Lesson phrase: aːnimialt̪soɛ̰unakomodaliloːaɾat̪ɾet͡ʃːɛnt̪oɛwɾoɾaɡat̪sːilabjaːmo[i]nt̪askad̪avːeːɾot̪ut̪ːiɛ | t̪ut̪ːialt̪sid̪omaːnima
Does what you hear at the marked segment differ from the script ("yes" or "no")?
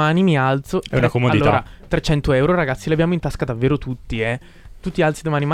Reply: no